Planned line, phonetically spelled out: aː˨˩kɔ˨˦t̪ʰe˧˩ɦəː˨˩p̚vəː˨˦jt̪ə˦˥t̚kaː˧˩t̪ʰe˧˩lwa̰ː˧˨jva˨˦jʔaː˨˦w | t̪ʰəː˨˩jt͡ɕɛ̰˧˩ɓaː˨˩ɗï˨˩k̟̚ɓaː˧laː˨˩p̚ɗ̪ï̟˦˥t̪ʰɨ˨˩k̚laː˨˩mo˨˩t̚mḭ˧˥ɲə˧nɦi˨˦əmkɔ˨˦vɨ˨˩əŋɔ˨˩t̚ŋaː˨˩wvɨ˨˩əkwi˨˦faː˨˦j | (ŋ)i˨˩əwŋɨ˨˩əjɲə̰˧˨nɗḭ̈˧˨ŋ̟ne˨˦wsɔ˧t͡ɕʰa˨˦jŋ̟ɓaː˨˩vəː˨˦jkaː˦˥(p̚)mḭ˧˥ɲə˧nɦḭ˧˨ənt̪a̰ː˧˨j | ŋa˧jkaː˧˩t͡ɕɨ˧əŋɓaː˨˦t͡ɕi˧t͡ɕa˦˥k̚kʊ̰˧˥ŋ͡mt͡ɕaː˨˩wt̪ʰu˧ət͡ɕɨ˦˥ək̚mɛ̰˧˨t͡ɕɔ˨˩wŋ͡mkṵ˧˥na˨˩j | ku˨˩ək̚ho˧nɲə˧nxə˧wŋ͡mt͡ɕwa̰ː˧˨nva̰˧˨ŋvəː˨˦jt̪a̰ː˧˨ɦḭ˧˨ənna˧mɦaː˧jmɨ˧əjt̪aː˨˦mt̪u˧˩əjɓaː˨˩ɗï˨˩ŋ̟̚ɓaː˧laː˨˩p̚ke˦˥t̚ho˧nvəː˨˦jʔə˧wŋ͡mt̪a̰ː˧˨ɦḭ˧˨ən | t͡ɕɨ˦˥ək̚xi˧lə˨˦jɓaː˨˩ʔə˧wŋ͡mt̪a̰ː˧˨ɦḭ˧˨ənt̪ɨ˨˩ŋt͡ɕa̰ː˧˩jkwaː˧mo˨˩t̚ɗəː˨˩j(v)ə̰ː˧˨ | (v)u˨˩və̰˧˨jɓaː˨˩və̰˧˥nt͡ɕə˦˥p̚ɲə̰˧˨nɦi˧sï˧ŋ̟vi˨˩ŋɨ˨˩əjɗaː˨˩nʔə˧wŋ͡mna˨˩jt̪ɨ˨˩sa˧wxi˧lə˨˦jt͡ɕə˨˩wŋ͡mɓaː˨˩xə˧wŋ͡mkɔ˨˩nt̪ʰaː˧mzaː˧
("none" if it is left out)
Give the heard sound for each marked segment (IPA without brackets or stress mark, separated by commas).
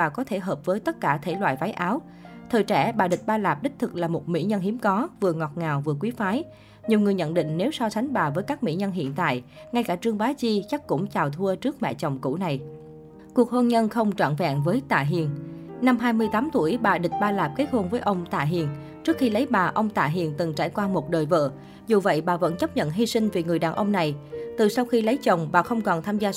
ɲ, k̚, v, z